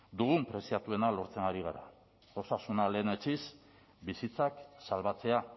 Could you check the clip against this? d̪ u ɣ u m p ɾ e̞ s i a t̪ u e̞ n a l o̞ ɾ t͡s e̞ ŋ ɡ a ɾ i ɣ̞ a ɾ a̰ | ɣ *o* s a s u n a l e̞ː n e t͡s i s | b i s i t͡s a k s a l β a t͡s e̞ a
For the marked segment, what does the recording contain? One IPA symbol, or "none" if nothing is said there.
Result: o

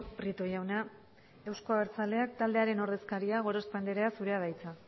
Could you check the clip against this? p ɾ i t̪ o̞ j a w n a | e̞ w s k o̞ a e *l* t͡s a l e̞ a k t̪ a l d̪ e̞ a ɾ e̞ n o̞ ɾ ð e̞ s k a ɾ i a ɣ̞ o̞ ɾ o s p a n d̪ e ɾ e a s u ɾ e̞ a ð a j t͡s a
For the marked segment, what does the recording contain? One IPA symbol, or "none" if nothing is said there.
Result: ɾ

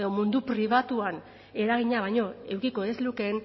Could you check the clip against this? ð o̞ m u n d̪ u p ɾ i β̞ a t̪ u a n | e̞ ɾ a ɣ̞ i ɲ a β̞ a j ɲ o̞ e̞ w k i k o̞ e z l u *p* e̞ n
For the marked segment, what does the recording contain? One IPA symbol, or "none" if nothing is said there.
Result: k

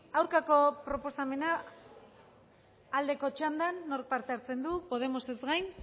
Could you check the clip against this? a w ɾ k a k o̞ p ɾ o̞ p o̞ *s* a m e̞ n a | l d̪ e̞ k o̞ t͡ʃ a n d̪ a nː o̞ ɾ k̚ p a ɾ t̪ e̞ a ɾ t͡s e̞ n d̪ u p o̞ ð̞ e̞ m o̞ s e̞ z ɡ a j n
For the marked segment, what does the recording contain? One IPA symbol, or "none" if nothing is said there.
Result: s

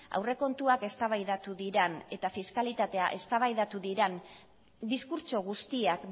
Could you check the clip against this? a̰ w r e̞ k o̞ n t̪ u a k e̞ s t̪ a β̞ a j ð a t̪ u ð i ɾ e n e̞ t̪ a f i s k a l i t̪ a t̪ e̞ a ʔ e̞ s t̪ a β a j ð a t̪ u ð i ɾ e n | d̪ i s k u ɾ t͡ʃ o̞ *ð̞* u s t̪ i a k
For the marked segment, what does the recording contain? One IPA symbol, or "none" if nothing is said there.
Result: ɣ̞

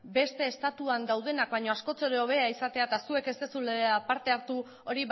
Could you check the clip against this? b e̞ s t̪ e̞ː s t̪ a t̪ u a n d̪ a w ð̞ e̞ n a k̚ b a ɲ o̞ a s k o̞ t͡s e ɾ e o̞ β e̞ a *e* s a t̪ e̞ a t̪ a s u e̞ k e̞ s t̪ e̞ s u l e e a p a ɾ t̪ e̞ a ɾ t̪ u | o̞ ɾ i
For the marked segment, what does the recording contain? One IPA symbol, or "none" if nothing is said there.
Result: i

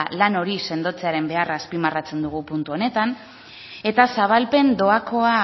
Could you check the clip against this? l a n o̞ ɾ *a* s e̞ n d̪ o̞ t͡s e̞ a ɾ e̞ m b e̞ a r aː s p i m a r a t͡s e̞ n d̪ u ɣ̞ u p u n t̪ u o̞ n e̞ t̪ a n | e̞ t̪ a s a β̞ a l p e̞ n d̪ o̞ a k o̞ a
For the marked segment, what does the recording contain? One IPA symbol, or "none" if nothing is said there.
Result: i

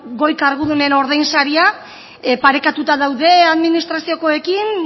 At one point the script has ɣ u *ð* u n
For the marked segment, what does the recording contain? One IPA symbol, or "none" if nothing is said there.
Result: ð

